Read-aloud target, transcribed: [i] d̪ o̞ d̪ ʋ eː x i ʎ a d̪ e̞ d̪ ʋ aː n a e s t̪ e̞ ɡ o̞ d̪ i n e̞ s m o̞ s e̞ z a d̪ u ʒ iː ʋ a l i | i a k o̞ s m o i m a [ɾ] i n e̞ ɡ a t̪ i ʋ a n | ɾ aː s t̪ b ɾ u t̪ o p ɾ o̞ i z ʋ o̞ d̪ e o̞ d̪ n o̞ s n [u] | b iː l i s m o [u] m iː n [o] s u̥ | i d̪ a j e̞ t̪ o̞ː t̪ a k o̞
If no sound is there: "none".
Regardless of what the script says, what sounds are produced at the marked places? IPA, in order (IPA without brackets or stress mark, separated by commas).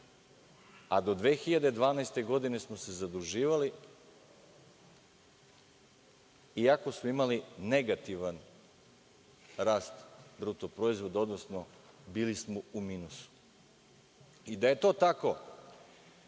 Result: a, l, o, u, u